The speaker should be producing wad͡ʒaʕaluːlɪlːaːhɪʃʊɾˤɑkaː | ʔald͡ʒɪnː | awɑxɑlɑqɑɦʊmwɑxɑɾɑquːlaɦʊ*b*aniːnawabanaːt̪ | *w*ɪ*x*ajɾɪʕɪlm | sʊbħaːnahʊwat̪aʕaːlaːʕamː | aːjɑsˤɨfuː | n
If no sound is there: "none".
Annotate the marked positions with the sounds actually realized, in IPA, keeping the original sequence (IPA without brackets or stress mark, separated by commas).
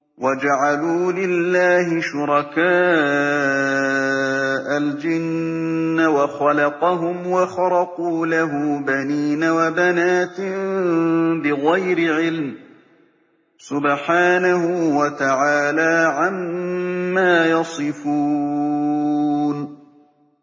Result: b, b, ɣ